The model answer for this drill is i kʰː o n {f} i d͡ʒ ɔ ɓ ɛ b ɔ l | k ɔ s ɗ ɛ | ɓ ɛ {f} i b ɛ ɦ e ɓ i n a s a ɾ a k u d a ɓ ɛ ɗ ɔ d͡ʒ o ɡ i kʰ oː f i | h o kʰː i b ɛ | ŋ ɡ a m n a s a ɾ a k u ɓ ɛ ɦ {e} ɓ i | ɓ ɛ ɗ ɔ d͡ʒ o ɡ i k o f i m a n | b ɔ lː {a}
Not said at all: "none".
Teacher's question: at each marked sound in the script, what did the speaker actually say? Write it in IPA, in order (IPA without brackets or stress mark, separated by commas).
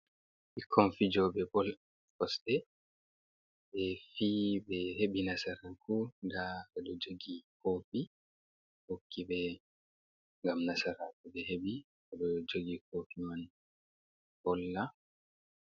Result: f, f, e, a